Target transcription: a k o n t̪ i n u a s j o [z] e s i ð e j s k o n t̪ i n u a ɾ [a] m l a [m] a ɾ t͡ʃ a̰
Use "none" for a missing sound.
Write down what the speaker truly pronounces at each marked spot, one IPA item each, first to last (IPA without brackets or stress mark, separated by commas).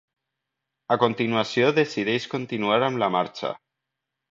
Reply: ð, a, m